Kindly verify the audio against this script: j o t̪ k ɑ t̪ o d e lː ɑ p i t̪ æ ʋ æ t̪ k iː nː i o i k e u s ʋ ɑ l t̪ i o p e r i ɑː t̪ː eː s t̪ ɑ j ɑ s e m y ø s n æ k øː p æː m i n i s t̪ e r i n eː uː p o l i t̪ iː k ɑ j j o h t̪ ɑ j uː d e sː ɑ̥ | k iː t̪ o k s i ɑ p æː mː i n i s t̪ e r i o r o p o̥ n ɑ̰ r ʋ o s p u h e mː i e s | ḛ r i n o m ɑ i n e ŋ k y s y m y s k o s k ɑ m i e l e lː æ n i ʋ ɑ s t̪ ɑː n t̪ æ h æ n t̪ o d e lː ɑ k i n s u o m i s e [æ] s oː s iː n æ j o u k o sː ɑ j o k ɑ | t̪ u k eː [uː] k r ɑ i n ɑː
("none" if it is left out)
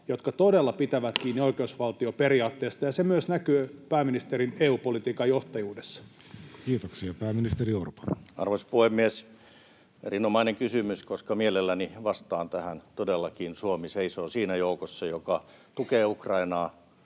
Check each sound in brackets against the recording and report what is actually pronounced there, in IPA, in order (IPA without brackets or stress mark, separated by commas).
i, u